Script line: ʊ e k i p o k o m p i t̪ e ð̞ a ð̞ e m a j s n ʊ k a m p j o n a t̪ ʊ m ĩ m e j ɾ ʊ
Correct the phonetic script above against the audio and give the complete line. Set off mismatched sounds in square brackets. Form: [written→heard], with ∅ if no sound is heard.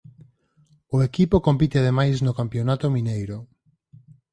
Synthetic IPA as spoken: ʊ e k i p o k o m p i t̪ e [ð̞→∅] a ð̞ e m a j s n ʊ k a m p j o n a t̪ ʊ m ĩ [m→n] e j ɾ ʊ